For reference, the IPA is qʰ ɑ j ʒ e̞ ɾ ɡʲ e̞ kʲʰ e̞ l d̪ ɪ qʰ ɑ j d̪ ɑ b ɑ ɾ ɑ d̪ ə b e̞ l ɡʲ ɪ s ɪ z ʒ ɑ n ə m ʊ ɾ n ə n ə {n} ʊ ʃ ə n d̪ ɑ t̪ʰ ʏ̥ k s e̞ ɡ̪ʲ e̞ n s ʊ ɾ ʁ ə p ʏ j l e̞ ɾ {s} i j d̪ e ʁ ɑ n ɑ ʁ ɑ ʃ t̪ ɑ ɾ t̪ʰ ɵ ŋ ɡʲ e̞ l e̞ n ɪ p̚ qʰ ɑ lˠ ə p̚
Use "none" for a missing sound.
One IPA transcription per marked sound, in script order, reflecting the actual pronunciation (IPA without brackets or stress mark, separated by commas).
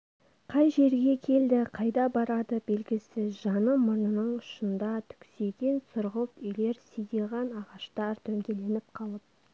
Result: ɴ, s